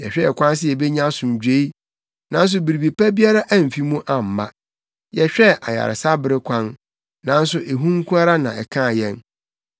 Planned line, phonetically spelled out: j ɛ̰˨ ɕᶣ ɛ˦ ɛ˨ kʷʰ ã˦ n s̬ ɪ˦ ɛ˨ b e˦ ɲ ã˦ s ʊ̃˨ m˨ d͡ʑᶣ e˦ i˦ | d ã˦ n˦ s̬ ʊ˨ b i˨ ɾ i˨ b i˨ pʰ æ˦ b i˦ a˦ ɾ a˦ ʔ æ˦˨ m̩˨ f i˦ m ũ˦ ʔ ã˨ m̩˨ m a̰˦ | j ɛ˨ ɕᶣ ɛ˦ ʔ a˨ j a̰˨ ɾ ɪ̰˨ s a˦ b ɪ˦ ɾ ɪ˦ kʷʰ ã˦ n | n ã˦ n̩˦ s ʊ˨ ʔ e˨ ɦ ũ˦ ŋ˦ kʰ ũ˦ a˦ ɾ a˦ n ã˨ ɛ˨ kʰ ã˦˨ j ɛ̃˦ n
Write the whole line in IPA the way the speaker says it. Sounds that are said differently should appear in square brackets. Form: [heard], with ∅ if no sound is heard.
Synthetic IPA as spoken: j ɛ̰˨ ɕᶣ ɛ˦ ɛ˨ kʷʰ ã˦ n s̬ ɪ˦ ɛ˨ b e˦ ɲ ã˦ s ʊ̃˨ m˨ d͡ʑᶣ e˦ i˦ | [n] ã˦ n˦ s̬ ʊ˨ b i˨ ɾ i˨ b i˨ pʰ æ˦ b i˦ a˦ ɾ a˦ ʔ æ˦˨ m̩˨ f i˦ m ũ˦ ʔ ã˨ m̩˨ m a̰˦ | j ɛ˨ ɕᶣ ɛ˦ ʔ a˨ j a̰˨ ɾ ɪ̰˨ s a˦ b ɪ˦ ɾ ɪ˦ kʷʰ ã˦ n | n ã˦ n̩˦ s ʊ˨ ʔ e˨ ɦ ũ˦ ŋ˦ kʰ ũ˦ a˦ ɾ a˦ n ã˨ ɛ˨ kʰ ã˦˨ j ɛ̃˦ n